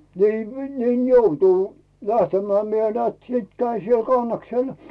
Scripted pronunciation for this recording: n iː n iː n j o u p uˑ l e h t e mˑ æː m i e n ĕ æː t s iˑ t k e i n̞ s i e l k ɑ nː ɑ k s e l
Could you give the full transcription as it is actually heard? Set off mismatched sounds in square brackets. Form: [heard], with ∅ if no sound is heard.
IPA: n iː n iː n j o u [t] uˑ l [æ] h t e mˑ æː m i e n ĕ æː t s iˑ t k [æ] i n̞ s i e l k ɑ nː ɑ k s e l